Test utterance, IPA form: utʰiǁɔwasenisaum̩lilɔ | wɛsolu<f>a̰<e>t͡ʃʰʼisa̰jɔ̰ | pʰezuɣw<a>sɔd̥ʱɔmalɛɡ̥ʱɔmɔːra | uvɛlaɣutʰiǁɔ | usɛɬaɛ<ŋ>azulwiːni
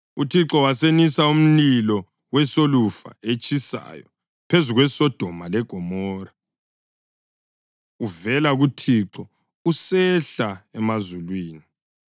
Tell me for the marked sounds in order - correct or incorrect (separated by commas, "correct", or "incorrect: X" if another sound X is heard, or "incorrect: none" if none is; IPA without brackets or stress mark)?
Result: correct, correct, incorrect: ɛ, incorrect: m